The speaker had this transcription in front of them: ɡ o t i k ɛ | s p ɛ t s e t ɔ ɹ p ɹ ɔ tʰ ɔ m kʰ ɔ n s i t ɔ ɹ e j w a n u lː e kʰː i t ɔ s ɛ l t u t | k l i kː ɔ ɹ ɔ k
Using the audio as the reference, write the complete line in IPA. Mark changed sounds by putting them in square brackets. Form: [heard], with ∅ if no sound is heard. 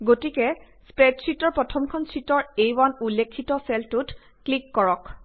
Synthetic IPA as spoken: ɡ o t i k ɛ | s p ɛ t s [i] t ɔ ɹ p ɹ ɔ tʰ ɔ m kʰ ɔ n s i t ɔ ɹ e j w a n u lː e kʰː i t ɔ s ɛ l t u t | k l i kː ɔ ɹ ɔ k